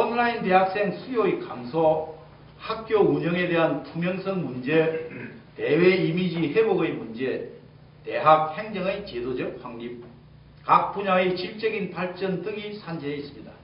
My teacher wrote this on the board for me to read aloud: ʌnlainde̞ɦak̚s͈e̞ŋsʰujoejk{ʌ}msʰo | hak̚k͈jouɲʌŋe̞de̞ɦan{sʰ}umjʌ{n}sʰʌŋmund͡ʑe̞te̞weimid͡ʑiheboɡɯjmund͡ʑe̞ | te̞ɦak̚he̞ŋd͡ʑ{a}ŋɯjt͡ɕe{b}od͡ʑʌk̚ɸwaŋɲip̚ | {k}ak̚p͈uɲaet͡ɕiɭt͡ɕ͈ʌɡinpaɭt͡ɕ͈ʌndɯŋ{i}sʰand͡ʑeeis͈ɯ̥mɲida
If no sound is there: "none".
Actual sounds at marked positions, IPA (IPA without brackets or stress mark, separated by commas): a, tʰ, ŋ, ʌ, d, k, i